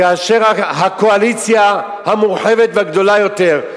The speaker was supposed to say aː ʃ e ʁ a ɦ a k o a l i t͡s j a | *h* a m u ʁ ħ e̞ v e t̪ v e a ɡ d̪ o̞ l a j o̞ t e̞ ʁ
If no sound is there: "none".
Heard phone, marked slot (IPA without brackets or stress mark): h